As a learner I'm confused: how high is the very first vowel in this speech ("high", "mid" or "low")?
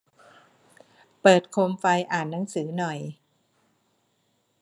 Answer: mid